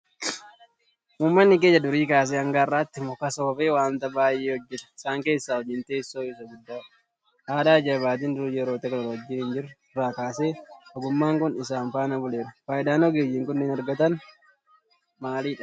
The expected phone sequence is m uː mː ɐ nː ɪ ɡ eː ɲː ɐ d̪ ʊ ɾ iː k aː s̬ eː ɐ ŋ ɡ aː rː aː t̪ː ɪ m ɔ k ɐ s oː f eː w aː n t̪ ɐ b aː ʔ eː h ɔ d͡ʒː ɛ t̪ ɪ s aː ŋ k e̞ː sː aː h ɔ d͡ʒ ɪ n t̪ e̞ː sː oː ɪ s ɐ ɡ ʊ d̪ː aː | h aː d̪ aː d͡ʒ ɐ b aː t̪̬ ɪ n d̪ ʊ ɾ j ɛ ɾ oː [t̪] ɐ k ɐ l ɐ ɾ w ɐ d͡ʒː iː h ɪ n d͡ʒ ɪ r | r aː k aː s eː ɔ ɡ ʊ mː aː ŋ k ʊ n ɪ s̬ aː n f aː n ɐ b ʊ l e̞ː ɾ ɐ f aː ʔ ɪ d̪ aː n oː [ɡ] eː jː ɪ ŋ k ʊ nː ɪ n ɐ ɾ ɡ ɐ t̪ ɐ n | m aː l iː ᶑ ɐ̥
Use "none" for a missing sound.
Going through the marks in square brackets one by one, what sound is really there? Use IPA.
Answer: t̪, ɡ

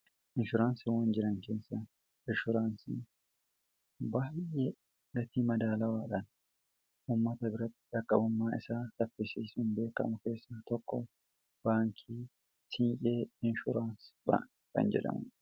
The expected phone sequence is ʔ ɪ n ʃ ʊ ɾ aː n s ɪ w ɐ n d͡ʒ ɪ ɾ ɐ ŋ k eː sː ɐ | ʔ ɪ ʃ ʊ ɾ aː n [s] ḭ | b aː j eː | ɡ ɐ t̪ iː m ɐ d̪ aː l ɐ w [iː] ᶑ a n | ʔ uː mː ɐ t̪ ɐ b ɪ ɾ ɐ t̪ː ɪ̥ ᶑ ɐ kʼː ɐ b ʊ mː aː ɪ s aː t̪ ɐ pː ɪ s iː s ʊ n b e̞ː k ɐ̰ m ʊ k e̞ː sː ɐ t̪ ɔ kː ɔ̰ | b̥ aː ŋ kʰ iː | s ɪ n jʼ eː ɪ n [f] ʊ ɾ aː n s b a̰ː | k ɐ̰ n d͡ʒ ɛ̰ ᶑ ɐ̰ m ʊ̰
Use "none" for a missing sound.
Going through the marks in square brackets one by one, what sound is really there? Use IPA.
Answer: s, aː, ʃ

